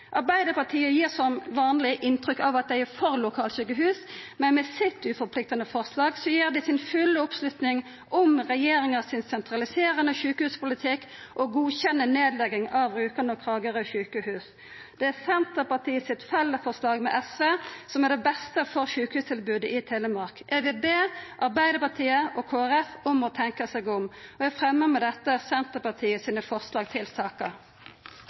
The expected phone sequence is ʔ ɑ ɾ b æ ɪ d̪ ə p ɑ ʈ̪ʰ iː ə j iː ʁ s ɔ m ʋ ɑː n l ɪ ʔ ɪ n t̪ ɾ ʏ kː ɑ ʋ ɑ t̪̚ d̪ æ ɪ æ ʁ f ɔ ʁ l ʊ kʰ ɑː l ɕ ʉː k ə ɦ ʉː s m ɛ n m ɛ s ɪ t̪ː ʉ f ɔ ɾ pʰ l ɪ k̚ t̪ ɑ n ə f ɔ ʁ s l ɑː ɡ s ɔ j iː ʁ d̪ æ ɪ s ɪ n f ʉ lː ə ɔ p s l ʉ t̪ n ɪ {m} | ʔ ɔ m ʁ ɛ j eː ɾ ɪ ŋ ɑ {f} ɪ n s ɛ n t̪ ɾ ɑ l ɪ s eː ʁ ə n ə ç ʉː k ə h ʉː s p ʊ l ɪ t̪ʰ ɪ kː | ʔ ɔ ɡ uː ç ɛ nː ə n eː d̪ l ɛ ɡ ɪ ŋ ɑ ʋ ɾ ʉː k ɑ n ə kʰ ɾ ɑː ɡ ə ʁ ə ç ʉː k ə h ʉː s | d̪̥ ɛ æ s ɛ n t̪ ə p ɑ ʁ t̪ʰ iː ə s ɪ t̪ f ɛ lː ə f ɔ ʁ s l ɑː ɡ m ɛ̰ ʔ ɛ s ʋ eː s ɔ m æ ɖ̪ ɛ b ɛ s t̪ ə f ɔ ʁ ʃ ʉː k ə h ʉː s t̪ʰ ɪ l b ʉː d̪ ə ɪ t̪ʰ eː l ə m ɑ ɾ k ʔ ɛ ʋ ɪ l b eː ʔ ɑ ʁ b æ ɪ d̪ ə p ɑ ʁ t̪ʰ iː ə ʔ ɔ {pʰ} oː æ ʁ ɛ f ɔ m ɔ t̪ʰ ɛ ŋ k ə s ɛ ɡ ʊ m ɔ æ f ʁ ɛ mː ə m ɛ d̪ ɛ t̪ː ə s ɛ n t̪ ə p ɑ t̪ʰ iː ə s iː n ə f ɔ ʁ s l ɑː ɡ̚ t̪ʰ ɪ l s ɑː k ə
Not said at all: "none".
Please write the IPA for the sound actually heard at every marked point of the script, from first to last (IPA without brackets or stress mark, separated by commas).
ŋ, s, kʰ